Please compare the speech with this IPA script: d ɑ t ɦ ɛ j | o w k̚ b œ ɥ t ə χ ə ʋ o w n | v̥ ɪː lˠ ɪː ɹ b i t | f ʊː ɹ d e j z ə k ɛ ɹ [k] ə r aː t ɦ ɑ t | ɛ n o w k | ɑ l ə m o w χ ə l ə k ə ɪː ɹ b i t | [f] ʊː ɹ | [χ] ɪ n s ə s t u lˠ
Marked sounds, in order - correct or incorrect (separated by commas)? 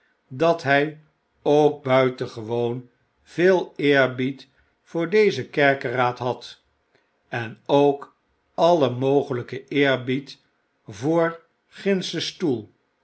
correct, incorrect, correct